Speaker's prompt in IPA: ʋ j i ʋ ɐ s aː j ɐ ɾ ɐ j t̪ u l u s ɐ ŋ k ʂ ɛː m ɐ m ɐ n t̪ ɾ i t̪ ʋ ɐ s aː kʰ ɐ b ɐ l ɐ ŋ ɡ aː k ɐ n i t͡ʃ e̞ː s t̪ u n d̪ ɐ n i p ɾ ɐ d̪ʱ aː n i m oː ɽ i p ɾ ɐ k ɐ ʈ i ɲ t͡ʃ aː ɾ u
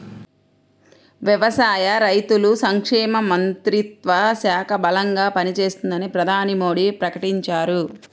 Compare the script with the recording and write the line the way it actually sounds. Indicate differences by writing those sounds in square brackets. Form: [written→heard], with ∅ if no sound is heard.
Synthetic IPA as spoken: ʋ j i ʋ ɐ s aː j ɐ ɾ ɐ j t̪ u l u s ɐ ŋ k ʂ ɛː m ɐ m ɐ n t̪ ɾ i t̪ ʋ ɐ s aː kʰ ɐ b ɐ l ɐ ŋ ɡ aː [k→p] ɐ n i t͡ʃ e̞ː s t̪ u n d̪ ɐ n i p ɾ ɐ d̪ʱ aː n i m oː ɽ i p ɾ ɐ k ɐ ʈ i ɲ t͡ʃ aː ɾ u